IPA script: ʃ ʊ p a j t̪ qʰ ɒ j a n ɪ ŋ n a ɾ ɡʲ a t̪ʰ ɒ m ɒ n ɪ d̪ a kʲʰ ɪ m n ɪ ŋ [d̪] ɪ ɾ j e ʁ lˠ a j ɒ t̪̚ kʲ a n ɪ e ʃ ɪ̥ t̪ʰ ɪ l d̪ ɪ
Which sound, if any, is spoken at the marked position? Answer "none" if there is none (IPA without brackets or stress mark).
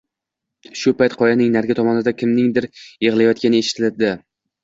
d̪